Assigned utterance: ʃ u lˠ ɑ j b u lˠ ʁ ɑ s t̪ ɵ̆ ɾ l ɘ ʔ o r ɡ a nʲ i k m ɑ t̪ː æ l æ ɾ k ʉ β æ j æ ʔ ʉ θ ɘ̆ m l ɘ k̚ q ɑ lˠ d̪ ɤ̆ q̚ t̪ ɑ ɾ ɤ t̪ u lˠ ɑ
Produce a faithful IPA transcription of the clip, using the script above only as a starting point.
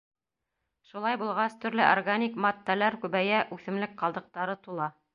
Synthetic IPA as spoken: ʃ u lˠ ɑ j b u lˠ ʁ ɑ s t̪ ɵ̆ ɾ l ɘ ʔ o r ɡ a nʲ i k m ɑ t̪ː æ l æ ɾ k ʉ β æ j æ ʔ ʉ θ ɘ̆ m l ɘ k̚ q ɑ lˠ d̪ ɤ̆ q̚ t̪ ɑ ɾ ɤ t̪ u lˠ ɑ